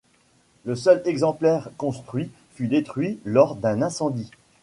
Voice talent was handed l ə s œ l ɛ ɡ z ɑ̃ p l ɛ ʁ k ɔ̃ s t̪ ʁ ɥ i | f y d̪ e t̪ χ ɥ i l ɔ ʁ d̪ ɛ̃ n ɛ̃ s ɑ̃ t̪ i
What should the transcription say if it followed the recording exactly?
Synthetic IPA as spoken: l ə s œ l ɛ ɡ z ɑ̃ p l ɛ ʁ k ɔ̃ s t̪ χ ɥ i | f y d̪ e t̪ χ ɥ i l ɔ ʁ d̪ ɛ̃ n ɛ̃ s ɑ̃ d̪ i